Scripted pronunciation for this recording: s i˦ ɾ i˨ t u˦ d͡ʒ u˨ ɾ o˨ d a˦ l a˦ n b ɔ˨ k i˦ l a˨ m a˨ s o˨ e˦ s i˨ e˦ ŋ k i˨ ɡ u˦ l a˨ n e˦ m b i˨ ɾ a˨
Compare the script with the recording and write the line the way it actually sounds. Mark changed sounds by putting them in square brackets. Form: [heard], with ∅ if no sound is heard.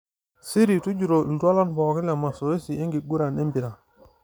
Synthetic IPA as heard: s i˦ ɾ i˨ t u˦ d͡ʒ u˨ ɾ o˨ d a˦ l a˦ n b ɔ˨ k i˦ l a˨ m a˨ s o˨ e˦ s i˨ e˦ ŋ [ɡ] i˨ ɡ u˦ [ɾ] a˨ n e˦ m b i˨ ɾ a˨